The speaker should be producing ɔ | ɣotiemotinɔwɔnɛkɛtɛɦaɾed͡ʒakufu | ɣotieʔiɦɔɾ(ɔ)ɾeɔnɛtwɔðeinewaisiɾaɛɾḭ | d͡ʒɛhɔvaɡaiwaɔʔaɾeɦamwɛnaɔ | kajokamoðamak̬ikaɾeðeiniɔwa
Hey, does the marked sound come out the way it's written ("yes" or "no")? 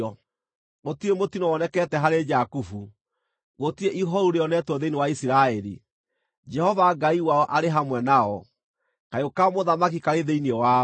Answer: no